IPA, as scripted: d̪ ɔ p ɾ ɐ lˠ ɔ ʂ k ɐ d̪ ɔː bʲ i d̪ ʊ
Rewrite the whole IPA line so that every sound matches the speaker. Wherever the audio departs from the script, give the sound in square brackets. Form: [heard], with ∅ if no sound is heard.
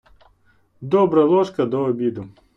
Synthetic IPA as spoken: d̪ ɔ [b] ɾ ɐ lˠ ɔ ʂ k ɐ d̪ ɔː bʲ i d̪ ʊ